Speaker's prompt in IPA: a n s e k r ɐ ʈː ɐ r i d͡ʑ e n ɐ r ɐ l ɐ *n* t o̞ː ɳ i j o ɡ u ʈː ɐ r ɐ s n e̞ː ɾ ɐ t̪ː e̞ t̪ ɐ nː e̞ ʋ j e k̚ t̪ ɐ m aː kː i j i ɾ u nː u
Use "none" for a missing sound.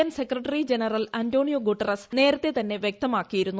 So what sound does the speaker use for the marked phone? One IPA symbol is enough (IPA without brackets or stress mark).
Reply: n